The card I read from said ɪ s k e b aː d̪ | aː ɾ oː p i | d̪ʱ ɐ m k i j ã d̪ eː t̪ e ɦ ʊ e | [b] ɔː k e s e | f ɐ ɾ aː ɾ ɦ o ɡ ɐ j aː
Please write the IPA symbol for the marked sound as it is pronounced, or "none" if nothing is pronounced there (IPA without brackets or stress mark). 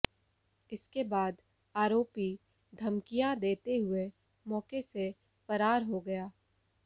m